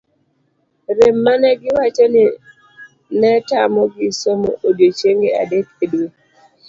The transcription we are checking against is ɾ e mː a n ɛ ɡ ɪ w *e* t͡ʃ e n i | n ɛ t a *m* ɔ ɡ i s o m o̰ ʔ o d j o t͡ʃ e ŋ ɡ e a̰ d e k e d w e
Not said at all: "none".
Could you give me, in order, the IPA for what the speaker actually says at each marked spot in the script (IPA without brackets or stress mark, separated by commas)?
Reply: a, m